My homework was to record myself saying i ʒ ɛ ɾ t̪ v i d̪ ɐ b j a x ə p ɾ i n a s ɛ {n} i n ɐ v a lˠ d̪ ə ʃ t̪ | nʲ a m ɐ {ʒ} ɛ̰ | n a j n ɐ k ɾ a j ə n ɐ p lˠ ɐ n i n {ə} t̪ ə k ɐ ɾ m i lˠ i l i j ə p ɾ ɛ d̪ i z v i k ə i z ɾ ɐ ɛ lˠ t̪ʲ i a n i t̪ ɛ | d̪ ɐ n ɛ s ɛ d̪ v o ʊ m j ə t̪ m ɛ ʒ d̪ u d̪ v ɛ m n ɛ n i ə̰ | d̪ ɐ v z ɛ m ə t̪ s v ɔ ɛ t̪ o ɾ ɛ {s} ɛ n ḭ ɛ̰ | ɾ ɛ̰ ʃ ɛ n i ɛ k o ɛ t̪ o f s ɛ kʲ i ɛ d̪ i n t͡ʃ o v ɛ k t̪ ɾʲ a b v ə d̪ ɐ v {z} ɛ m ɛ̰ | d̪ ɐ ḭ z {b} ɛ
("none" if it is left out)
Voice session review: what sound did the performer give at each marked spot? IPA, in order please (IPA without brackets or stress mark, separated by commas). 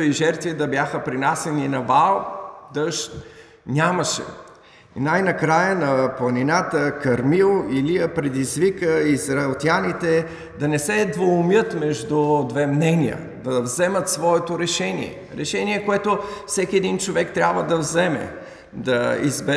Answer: n, ʃ, a, ʃ, z, b